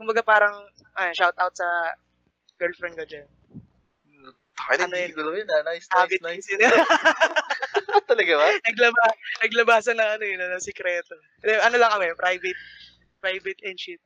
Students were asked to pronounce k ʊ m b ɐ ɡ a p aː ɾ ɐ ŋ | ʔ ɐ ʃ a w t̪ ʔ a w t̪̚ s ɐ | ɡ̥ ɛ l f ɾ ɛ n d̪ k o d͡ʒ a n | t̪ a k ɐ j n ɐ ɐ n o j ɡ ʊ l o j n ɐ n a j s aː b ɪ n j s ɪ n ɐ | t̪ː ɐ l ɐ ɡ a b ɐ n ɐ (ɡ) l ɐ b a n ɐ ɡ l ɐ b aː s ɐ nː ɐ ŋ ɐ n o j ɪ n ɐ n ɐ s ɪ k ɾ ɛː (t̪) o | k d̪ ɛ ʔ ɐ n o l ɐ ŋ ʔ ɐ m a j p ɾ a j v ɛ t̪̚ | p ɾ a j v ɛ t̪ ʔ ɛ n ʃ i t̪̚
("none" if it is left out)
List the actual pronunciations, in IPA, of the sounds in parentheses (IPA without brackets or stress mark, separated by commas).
ɡ, t̪